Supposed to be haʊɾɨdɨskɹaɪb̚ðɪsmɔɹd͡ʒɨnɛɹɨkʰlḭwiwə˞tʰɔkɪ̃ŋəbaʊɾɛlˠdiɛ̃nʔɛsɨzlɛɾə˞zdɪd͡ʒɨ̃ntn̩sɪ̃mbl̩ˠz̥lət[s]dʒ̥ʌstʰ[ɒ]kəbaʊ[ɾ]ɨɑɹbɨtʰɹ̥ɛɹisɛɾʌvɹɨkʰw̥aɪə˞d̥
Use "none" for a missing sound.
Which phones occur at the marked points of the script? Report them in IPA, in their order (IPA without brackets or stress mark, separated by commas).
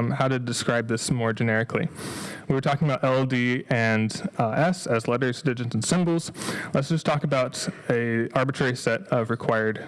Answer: s, ɔ, ɾ